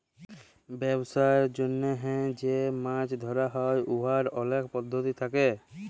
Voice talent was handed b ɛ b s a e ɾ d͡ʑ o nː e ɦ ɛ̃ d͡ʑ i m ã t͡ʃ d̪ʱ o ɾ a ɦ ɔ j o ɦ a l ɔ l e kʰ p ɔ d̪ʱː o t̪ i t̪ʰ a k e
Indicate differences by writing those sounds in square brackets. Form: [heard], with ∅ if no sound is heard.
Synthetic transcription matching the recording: b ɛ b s a e ɾ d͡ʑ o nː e ɦ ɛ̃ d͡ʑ [e] m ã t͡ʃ d̪ʱ [ɔ] ɾ a ɦ ɔ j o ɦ a [ɾ] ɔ l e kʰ p ɔ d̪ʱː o t̪ i t̪ʰ a k e